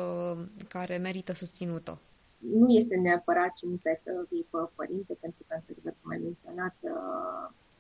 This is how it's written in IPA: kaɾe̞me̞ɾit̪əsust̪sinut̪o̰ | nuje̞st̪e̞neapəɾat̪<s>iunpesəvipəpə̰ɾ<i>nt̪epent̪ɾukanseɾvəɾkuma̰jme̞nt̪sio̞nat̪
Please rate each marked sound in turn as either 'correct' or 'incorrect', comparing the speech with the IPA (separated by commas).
incorrect, correct